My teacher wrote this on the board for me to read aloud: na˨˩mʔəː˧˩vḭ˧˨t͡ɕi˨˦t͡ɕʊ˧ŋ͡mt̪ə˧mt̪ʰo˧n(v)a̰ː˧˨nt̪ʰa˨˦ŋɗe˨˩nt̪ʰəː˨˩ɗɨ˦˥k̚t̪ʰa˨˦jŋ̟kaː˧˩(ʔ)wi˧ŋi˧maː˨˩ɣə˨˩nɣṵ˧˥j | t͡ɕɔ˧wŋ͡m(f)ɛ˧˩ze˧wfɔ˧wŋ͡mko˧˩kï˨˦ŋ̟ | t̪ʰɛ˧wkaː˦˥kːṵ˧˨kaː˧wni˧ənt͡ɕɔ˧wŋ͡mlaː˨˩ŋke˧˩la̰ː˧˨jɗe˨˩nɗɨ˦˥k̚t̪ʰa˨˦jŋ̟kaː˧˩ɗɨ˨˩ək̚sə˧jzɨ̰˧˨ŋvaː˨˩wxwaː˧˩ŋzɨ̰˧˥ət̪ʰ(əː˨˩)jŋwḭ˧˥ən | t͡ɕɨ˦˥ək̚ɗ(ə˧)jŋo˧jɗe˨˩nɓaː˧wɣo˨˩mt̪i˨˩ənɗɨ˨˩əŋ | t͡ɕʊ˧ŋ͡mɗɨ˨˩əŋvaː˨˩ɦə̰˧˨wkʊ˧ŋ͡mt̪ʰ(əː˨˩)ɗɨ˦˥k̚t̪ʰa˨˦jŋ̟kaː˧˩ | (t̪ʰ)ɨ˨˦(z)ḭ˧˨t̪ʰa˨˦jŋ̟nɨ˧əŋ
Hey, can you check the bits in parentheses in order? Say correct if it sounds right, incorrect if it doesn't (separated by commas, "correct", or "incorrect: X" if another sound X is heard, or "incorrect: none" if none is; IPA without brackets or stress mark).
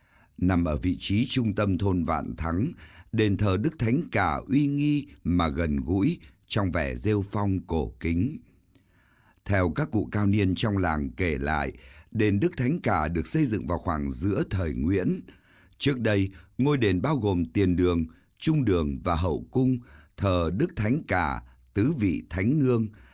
correct, correct, incorrect: v, correct, correct, correct, incorrect: t̪, incorrect: v